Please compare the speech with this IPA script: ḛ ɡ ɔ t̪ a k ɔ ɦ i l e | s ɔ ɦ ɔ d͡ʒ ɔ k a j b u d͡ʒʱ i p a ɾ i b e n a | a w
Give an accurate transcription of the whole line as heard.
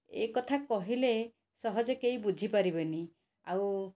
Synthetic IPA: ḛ k ɔ t̪ʰ a k ɔ ɦ i l e | s ɔ ɦ ɔ d͡ʒ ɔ k e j b u d͡ʒʱ i p a ɾ i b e n i | a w